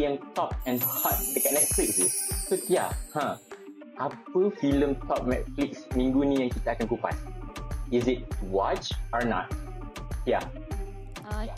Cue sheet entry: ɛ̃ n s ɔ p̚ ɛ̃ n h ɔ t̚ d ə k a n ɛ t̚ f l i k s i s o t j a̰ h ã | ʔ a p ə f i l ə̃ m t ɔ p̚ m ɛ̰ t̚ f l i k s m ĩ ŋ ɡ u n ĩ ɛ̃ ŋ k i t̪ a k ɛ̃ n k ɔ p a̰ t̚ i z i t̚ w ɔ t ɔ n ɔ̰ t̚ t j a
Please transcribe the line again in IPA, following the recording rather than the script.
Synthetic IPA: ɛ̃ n t ɔ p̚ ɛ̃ n h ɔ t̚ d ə k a n ɛ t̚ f l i k s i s o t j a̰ h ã | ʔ a p ə f i l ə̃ m t ɔ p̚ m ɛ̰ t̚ f l i k s m ĩ ŋ ɡ u n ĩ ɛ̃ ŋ k i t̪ a k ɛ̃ n k u p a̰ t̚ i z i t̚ w ɔ t͡ʃ ɔ n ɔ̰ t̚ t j a